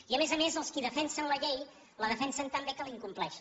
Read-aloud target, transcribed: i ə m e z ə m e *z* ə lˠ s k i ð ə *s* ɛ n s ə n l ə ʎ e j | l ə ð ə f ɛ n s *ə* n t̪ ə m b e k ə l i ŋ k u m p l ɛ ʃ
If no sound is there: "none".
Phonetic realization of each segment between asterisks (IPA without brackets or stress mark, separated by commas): z, f, ə